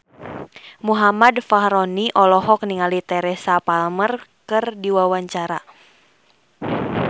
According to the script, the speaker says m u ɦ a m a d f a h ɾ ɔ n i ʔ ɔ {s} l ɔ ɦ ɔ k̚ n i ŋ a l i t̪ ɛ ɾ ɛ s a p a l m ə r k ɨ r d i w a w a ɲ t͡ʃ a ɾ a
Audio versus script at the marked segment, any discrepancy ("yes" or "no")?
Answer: yes